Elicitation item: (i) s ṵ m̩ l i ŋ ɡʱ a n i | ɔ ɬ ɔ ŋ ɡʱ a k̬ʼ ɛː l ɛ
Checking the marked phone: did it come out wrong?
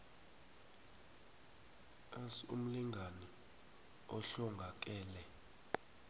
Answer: yes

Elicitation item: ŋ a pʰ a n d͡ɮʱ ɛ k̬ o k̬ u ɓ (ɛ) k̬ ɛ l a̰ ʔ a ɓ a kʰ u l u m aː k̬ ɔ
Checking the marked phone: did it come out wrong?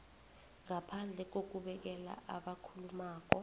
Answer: no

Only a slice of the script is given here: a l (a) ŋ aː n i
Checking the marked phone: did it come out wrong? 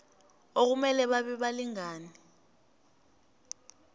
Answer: yes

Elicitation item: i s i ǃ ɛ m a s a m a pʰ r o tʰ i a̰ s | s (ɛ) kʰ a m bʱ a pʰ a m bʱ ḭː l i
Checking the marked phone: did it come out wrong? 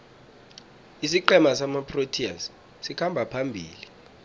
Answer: yes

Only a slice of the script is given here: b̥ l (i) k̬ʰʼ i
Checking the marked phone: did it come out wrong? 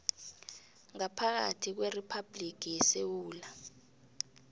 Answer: no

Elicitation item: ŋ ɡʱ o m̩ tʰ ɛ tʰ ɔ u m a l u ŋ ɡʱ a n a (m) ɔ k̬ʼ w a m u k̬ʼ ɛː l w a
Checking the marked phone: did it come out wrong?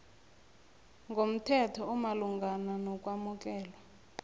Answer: yes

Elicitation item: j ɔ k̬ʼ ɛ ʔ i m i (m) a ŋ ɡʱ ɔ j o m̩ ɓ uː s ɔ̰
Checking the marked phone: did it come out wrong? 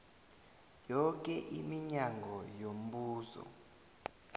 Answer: yes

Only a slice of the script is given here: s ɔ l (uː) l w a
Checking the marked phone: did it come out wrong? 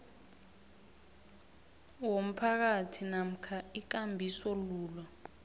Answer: no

